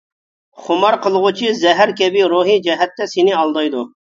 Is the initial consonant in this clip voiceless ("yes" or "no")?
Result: yes